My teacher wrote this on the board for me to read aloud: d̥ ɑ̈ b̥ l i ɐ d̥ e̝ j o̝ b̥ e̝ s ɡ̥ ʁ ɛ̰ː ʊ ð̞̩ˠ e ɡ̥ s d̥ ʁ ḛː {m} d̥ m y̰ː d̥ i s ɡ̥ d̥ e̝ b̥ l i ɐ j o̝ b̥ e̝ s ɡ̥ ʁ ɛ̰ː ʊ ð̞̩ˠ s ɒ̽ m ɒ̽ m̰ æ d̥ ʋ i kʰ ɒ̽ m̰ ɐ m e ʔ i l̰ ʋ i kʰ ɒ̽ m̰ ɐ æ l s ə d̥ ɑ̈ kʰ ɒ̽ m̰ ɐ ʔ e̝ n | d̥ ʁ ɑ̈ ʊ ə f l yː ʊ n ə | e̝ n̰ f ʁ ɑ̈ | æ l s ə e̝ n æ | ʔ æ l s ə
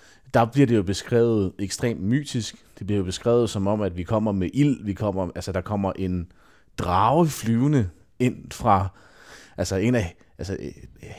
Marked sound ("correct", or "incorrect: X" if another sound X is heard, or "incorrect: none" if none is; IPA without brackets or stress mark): correct